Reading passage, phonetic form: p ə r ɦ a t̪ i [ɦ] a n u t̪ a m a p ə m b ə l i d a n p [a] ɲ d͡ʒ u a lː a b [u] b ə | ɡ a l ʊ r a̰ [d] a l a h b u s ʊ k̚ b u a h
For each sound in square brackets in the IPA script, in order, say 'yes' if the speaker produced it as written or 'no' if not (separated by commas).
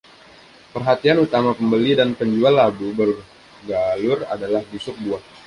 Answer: no, no, yes, yes